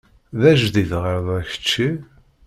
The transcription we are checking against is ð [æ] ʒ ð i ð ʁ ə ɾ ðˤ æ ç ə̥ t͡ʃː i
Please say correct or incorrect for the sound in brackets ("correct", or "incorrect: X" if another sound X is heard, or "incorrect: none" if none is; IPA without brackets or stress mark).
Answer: correct